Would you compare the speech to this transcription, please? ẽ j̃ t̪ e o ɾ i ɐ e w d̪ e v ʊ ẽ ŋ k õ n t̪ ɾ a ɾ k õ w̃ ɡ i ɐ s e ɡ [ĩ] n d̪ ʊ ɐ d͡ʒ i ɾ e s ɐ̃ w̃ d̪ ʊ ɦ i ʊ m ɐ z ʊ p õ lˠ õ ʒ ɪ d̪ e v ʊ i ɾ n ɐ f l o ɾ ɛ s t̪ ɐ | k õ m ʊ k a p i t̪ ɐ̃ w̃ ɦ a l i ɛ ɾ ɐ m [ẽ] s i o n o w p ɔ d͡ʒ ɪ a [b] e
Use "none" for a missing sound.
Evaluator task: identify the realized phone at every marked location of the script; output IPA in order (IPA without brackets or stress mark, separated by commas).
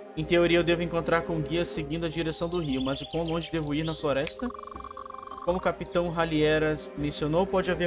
ĩ, ẽ, v